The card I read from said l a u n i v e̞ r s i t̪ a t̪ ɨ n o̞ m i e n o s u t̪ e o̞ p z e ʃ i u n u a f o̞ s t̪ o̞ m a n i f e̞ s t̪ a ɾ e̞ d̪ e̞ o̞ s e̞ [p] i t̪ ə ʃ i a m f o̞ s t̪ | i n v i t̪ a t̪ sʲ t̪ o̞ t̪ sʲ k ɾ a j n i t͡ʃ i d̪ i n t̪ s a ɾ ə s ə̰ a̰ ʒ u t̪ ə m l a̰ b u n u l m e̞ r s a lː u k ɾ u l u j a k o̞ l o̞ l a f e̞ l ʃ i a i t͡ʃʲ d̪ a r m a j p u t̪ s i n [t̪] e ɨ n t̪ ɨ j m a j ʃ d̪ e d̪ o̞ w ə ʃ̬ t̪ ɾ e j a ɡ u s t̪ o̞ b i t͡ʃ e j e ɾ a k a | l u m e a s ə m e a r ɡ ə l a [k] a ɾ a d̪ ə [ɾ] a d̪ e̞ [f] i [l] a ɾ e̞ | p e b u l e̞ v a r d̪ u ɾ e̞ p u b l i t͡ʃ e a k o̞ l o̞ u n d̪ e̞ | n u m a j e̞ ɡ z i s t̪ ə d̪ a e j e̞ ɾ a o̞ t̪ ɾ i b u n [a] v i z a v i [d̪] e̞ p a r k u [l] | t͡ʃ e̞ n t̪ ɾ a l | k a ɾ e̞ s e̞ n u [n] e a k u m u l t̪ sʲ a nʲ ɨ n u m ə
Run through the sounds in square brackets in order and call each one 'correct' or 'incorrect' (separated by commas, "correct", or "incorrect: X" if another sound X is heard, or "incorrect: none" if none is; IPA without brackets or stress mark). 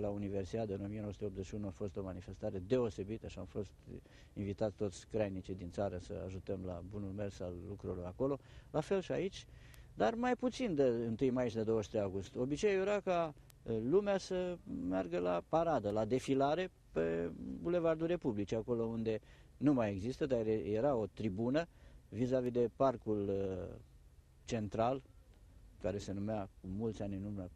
incorrect: b, incorrect: d̪, incorrect: p, incorrect: l, correct, correct, incorrect: ə, correct, correct, incorrect: m